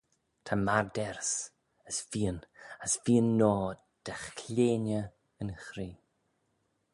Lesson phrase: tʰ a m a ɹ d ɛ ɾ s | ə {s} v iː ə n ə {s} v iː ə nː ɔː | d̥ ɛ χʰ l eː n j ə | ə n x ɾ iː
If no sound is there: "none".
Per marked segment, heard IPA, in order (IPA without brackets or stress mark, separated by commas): s, s